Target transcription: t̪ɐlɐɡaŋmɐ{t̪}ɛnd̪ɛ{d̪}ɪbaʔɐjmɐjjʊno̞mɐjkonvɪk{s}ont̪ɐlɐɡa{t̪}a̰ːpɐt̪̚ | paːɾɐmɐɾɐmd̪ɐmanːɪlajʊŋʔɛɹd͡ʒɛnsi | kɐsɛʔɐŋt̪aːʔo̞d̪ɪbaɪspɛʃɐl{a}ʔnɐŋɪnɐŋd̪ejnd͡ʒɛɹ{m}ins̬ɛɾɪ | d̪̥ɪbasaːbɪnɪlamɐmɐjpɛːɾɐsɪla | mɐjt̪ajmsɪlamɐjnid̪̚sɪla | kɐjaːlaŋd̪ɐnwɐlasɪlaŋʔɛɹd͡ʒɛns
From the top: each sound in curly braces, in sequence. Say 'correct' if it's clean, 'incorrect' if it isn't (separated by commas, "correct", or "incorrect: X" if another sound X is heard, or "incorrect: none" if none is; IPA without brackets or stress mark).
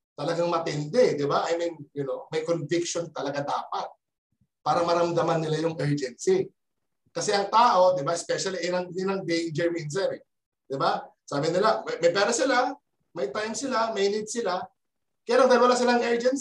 correct, correct, incorrect: ʃ, incorrect: d̪, incorrect: i, correct